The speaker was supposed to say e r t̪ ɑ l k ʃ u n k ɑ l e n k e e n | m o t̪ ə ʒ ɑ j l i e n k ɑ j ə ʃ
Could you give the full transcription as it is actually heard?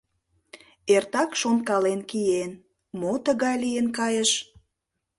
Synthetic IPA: e r t̪ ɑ k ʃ o n k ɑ l e n k i e n | m o t̪ ə ɣ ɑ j l i e n k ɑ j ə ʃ